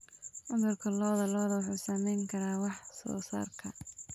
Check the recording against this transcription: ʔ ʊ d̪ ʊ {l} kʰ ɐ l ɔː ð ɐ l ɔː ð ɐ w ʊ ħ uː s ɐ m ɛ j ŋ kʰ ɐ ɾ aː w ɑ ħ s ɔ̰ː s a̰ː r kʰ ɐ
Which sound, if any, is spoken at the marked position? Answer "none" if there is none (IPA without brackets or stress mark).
r